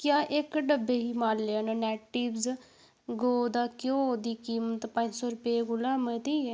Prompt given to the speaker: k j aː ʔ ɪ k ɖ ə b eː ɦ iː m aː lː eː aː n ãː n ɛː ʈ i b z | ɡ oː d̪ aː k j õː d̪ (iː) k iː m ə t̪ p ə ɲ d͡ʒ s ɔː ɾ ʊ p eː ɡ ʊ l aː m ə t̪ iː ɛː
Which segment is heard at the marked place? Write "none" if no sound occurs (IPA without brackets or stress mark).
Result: iː